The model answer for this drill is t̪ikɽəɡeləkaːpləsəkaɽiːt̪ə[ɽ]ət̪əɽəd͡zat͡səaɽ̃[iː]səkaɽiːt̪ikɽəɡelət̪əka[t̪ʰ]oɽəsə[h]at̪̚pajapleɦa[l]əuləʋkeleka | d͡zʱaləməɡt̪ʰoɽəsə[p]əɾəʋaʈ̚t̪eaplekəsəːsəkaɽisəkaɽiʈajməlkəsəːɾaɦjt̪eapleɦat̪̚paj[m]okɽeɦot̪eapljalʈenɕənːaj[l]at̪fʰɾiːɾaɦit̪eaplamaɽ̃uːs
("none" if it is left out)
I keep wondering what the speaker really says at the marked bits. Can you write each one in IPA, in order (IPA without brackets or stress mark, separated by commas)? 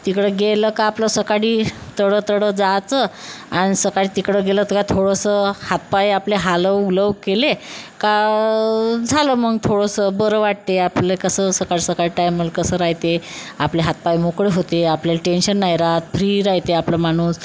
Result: ɽ, i, t̪ʰ, h, l, b, m, ɾ